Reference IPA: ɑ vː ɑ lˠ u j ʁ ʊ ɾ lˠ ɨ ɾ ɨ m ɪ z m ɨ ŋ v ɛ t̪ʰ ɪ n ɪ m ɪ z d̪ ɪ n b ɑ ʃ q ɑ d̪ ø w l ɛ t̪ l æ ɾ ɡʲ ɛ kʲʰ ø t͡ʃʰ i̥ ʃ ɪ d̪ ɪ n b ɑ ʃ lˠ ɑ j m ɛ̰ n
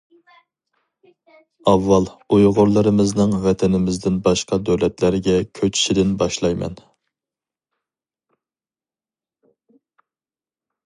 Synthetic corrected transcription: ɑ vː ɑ lˠ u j ʁ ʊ ɾ lˠ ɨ ɾ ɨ m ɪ z n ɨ ŋ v ɛ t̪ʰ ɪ n ɪ m ɪ z d̪ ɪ n b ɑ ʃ q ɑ d̪ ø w l ɛ t̪ l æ ɾ ɡʲ ɛ kʲʰ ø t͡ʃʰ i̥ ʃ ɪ d̪ ɪ n b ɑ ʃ lˠ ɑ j m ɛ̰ n